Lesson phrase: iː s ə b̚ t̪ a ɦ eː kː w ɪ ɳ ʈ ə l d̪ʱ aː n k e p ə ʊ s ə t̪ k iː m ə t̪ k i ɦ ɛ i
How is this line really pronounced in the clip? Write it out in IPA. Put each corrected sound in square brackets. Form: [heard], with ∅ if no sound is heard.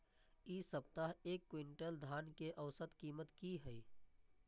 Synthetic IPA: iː s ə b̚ t̪ a ɦ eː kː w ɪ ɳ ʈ ə l d̪ʱ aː n k e [ʔ] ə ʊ s ə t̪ k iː m ə t̪ k i ɦ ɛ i